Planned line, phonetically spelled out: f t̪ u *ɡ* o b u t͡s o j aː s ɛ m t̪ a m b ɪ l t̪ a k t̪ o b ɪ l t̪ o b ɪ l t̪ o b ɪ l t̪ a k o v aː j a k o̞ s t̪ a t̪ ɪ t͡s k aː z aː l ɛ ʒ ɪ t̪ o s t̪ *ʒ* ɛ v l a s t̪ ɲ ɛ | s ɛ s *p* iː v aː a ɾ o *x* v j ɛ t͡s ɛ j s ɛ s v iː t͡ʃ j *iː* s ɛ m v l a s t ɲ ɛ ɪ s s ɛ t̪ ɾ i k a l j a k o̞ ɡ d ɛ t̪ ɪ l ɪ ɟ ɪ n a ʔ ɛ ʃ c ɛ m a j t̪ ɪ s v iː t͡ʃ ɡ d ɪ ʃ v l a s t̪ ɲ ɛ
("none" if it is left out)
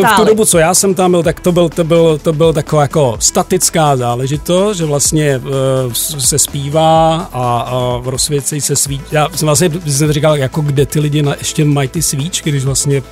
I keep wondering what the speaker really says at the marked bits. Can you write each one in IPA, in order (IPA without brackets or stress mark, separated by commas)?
d, ʒ, p, s, aː